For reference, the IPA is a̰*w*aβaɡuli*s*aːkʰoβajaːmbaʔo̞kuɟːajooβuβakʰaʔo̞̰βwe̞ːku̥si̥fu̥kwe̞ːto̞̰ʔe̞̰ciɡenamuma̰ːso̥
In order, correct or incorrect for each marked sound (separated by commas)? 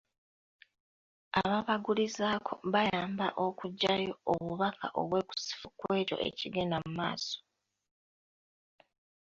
incorrect, incorrect